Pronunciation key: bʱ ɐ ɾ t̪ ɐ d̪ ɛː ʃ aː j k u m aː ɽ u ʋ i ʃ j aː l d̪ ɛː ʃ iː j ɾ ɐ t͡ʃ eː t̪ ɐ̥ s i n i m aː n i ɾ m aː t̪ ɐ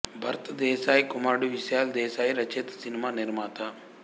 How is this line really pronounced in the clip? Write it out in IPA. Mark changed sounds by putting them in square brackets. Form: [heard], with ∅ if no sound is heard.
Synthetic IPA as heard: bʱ ɐ ɾ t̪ ɐ d̪ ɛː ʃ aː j k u m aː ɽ u ʋ i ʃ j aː l d̪ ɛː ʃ [aː] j ɾ ɐ t͡ʃ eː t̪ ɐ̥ s i n i m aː n i ɾ m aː t̪ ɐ